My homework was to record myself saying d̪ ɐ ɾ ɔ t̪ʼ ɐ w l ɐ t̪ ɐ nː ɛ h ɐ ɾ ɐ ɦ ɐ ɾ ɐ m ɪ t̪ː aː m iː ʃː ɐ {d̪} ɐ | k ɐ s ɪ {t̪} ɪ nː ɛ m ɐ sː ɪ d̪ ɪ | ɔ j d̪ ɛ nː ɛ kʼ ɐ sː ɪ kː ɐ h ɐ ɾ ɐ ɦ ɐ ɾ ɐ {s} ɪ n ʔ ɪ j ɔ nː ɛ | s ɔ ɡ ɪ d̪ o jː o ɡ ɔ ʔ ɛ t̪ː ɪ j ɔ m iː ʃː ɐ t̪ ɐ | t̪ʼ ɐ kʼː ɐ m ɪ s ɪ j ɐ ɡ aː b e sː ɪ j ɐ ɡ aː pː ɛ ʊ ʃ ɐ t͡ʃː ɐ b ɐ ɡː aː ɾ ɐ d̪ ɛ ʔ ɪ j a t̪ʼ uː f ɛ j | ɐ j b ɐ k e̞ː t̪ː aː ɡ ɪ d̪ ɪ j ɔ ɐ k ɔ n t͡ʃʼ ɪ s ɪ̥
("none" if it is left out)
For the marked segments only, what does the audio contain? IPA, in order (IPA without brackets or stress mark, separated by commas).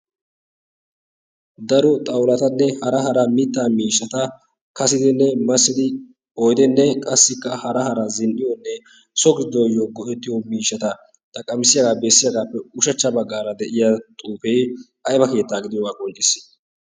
t̪, d̪, z